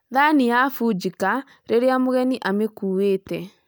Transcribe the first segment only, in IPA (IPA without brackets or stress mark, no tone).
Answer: ð